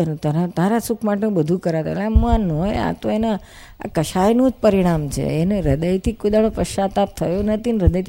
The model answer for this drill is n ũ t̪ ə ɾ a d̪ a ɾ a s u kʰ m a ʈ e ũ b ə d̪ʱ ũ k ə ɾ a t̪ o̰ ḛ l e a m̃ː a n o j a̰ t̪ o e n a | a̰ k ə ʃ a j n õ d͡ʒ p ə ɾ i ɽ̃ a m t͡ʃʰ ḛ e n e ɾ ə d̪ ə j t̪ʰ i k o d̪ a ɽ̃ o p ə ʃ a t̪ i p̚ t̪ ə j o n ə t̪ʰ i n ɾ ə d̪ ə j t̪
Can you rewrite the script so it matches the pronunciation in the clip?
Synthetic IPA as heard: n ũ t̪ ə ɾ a t̪ a ɾ a s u kʰ m a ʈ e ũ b ə d̪ʱ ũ k ə ɾ a t̪ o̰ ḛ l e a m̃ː a n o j a̰ t̪ o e n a | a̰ k ə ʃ a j n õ d͡ʒ p ə ɾ i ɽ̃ a m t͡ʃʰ ḛ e n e ɾ ə d̪ ə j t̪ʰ i k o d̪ a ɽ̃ o p ə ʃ a t̪ a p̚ t̪ʰ ə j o n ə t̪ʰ i n ɾ ə d̪ ə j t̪